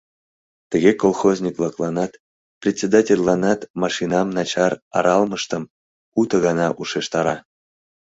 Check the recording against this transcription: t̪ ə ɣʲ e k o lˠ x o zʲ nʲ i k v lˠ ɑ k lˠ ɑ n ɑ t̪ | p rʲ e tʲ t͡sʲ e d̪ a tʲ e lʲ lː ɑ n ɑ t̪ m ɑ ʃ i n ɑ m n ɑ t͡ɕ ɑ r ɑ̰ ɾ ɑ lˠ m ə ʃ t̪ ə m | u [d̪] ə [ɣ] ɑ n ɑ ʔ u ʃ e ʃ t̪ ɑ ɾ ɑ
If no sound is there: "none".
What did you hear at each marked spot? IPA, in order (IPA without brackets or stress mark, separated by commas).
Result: t̪, ɣ